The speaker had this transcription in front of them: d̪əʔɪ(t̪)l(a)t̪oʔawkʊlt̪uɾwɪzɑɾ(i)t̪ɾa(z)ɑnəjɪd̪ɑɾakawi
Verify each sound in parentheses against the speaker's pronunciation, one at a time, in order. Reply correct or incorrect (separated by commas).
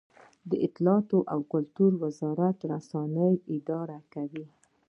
correct, incorrect, incorrect, incorrect